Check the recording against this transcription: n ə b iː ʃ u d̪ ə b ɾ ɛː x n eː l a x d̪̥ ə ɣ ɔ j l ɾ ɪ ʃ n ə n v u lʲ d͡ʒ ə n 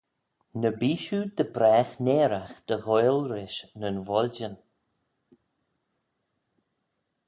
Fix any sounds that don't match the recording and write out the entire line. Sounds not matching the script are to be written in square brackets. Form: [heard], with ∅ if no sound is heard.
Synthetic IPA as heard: n ə b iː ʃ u d̪ ə b ɾ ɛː x n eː [ɾ] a x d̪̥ ə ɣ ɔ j l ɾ ɪ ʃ n ə n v [ɔ] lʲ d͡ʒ ə n